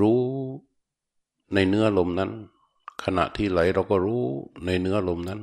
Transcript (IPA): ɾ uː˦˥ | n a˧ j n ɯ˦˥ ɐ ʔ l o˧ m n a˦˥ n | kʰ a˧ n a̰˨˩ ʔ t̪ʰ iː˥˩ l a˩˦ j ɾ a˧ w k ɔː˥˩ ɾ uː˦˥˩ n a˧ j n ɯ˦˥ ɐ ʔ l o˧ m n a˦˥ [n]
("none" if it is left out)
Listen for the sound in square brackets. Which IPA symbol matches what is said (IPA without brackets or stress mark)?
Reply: n